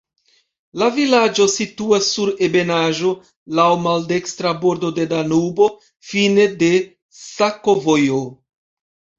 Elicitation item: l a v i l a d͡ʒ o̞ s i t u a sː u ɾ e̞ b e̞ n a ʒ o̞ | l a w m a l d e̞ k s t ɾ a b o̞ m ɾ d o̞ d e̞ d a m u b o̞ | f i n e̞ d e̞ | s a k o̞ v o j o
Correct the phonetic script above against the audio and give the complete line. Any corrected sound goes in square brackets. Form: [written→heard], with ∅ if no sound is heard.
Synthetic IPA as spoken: l a v i l a d͡ʒ o̞ s i t u a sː u ɾ e̞ b e̞ n a ʒ o̞ | l a w m a l d e̞ k s t ɾ a b o̞ [m→∅] ɾ d o̞ d e̞ d a [m→n] u b o̞ | f i n e̞ d e̞ | s a k o̞ v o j o